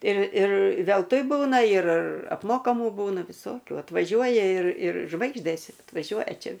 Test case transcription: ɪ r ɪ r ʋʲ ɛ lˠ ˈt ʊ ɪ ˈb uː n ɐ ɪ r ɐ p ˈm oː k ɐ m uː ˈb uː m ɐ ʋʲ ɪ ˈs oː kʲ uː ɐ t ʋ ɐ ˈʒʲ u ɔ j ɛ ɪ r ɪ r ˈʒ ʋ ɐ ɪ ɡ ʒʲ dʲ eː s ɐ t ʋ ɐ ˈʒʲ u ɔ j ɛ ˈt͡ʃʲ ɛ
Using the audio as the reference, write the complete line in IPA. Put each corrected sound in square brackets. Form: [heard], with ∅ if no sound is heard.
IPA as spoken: ɪ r ɪ r ʋʲ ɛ lˠ ˈt ʊ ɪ ˈb uː n ɐ ɪ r ɐ p ˈm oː k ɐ m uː ˈb uː [n] ɐ ʋʲ ɪ ˈs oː kʲ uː ɐ t ʋ ɐ ˈʒʲ u ɔ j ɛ ɪ r ɪ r ˈʒ ʋ ɐ ɪ ɡ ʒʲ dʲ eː s ɐ t ʋ ɐ ˈʒʲ u ɔ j ɛ ˈt͡ʃʲ ɛ

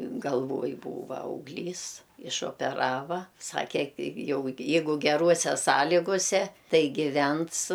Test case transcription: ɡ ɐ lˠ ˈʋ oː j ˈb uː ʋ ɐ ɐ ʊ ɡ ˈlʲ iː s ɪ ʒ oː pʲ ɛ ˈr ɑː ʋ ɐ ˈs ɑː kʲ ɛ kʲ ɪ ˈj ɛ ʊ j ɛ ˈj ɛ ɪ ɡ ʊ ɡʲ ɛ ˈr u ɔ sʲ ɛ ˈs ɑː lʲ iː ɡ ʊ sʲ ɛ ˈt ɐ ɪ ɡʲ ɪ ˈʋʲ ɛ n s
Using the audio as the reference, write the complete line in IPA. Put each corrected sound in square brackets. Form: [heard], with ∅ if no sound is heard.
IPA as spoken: ɡ ɐ lˠ ˈʋ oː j ˈb uː ʋ ɐ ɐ ʊ ɡ ˈlʲ iː s ɪ [ʃ] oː pʲ ɛ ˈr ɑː ʋ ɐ ˈs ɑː kʲ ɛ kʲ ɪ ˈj ɛ ʊ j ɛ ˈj ɛ ɪ ɡ ʊ ɡʲ ɛ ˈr u ɔ sʲ ɛ ˈs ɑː lʲ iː ɡ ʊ sʲ ɛ ˈt ɐ ɪ ɡʲ ɪ ˈʋʲ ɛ n s

